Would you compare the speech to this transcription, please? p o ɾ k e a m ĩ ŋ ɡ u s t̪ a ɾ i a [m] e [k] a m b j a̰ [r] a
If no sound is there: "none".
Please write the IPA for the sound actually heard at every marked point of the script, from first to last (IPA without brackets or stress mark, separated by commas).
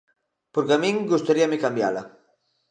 m, k, l